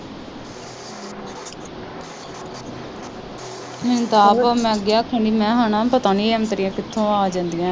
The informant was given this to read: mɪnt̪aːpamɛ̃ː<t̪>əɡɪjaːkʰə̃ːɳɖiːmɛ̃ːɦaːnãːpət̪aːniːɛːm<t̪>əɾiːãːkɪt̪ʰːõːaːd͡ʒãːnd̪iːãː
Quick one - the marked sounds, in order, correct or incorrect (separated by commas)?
incorrect, correct